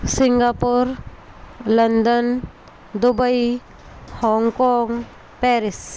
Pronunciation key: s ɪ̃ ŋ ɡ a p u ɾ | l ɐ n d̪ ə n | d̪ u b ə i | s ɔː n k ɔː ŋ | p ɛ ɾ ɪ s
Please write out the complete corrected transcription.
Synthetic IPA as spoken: s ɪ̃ ŋ ɡ a p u ɾ | l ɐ n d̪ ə n | d̪ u b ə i | h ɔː ŋ k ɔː ŋ | p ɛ ɾ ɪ s